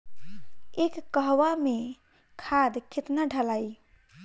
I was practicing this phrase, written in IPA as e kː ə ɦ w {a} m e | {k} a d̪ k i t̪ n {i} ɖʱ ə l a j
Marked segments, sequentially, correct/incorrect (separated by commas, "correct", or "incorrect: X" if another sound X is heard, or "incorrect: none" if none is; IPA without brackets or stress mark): correct, incorrect: kʰ, incorrect: a